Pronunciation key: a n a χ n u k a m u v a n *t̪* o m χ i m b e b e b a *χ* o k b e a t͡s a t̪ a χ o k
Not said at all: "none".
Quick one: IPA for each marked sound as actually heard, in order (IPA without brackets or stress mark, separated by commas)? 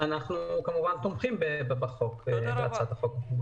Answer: t̪, χ